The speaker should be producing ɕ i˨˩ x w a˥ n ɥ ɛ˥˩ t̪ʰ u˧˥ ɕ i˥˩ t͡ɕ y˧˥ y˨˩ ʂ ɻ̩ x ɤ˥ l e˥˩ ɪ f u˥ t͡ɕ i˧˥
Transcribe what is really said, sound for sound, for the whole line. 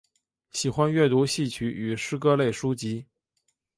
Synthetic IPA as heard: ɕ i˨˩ x w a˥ n ɥ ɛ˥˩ t̪ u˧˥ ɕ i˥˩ t͡ɕʰ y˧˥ y˨˩ ʂ ɻ̩ k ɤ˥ l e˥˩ ɪ ʂ u˥ t͡ɕ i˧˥